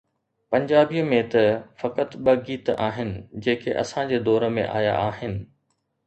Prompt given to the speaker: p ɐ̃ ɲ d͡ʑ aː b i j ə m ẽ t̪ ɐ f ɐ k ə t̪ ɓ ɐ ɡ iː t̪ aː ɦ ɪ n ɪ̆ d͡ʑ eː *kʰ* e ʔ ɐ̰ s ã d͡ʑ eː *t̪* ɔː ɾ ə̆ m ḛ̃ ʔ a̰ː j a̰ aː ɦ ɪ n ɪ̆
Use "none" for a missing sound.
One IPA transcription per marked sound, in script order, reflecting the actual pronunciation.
kʰ, d̪

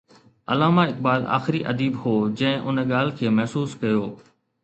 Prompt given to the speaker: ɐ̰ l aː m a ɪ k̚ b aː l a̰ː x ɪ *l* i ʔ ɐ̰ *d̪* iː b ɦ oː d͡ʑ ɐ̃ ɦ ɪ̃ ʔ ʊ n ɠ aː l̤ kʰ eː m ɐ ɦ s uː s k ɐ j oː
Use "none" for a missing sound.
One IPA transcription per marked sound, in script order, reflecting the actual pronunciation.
ɾ, d̪

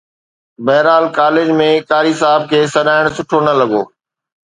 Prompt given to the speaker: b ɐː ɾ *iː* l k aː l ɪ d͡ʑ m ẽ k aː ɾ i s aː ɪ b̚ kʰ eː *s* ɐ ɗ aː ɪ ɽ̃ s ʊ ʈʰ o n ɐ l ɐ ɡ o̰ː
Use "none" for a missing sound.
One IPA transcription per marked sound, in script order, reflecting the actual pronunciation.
aː, s

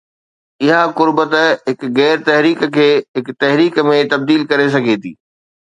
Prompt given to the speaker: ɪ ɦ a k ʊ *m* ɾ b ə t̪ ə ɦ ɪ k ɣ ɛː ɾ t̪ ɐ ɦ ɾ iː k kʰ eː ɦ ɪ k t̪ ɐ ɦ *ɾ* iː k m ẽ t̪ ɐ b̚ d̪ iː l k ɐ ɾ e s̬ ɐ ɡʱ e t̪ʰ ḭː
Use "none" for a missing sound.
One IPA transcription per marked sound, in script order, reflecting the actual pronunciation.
none, ɾ

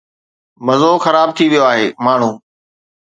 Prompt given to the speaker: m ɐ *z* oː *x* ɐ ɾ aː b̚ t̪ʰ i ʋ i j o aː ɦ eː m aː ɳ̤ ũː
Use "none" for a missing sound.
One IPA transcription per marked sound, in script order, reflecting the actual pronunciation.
z, x

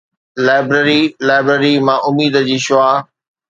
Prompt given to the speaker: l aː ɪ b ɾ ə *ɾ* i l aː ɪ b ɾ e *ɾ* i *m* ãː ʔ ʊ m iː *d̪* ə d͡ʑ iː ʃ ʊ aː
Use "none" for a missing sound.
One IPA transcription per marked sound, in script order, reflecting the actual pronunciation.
ɾ, ɾ, m, d̪

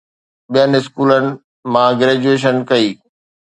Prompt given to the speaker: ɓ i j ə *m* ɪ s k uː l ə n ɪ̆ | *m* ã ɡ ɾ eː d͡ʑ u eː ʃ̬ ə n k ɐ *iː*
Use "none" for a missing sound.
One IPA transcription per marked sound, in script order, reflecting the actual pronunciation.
n, m, iː

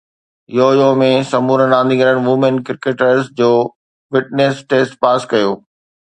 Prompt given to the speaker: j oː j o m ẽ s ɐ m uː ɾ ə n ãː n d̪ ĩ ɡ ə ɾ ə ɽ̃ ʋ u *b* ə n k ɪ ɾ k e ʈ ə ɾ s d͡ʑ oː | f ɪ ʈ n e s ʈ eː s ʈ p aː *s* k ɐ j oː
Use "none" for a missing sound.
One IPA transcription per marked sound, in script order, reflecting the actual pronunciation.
m, s

